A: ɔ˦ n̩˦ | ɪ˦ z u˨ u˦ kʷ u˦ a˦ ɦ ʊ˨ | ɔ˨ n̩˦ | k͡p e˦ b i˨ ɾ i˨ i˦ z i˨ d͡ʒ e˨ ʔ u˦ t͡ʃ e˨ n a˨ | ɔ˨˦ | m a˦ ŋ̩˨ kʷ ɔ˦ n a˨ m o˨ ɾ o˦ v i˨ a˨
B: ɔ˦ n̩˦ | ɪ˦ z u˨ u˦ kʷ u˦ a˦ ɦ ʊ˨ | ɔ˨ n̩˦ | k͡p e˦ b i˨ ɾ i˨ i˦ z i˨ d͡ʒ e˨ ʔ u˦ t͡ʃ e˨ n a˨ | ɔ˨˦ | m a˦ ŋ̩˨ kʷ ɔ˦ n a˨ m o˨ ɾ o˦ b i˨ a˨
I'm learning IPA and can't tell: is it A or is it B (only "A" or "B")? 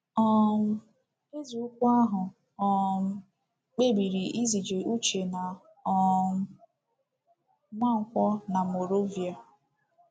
A